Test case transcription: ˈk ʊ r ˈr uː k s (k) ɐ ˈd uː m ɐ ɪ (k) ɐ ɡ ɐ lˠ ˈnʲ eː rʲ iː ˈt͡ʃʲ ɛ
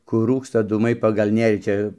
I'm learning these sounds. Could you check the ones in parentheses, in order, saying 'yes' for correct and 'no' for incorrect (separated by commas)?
no, no